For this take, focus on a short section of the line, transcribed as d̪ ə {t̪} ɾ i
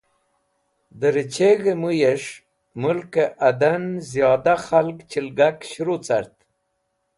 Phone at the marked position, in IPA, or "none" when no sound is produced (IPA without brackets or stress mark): none